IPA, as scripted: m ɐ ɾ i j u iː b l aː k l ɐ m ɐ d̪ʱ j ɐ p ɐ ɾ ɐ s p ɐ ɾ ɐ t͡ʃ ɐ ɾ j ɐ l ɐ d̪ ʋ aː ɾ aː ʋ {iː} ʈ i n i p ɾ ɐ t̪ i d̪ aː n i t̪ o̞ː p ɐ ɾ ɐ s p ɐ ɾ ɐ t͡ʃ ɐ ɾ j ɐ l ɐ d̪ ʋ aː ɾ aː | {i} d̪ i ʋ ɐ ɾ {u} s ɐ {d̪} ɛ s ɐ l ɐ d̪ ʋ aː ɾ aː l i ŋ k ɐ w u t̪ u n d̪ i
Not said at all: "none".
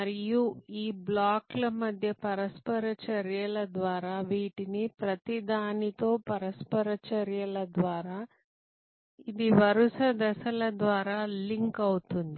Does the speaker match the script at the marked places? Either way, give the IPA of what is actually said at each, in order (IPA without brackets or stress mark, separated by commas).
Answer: iː, i, u, d̪